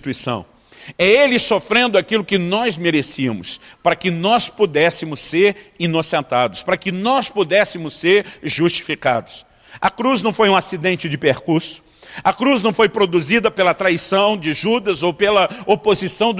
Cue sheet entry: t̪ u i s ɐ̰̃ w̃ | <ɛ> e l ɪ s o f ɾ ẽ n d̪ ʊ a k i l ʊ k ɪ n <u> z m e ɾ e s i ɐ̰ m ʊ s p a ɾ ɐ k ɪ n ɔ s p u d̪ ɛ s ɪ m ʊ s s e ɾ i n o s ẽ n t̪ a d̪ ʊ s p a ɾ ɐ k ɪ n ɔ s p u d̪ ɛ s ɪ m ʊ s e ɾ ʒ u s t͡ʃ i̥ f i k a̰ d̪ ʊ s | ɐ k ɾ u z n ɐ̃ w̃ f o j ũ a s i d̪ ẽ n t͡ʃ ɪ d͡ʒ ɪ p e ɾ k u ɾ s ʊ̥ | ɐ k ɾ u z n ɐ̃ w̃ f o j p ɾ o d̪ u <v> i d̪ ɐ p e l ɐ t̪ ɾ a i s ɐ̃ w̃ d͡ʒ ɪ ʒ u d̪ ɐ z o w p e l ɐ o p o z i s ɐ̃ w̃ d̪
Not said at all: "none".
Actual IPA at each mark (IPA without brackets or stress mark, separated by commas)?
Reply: ɛ, ɔ, z